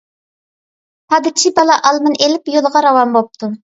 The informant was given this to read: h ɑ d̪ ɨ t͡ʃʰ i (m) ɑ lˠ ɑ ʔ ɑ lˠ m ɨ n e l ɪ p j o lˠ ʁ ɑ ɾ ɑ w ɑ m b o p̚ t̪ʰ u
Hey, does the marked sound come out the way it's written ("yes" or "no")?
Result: no